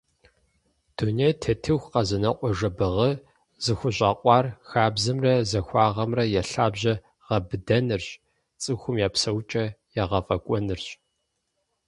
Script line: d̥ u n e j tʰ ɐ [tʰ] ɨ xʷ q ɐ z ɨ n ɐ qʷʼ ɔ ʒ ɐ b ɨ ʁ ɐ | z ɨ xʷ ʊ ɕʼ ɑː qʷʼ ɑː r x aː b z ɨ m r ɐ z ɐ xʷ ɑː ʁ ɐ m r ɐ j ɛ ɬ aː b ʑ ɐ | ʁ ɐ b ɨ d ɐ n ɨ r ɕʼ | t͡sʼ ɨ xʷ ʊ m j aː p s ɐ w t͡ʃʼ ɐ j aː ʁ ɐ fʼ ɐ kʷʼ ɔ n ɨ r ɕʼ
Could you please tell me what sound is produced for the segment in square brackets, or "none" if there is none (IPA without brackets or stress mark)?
tʰ